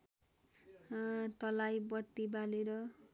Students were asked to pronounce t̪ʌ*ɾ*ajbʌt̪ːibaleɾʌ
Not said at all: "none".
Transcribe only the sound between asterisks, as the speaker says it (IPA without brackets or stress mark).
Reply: l